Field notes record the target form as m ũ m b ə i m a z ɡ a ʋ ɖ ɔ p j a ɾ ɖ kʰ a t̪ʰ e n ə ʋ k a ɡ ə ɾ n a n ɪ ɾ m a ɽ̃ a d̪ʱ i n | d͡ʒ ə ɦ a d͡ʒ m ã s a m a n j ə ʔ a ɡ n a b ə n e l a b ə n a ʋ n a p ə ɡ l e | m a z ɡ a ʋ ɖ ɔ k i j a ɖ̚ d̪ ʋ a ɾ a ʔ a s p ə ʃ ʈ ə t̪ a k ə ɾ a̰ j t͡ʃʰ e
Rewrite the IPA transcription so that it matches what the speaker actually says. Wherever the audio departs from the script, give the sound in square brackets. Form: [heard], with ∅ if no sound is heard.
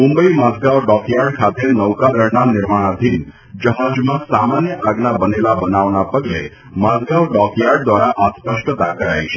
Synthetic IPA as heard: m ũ m b ə i m a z ɡ a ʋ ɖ ɔ [k] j a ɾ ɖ kʰ a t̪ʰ e n ə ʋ k a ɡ ə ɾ n a n ɪ ɾ m a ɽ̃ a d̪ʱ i n | d͡ʒ ə ɦ a d͡ʒ m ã s a m a n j ə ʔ a ɡ n a b ə n e l a b ə n a ʋ n a p ə ɡ l e | m a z ɡ a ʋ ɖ ɔ k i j a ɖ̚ d̪ ʋ a ɾ a ʔ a s p ə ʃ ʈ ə t̪ a k ə ɾ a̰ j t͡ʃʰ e